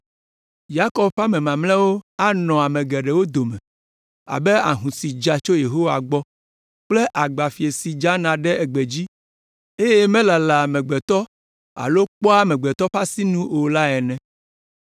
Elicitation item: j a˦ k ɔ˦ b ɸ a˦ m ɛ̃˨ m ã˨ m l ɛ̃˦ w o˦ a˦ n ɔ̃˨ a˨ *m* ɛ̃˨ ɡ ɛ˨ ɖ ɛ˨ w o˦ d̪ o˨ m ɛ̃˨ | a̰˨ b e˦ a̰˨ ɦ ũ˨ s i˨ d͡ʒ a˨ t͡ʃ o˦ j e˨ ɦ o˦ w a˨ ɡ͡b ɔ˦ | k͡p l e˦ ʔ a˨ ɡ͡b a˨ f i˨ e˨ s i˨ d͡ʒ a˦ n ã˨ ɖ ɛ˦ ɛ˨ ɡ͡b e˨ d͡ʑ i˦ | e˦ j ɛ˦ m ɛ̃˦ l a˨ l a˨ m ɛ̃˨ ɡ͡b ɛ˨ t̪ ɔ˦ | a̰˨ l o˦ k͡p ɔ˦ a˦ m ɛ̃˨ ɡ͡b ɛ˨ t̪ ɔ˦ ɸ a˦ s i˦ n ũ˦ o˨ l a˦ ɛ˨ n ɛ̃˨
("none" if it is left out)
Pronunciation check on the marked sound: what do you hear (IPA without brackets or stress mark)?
m